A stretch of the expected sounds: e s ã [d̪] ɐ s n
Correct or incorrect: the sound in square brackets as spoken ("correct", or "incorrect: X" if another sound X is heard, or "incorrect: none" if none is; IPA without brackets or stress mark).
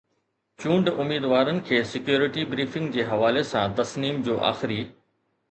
incorrect: t̪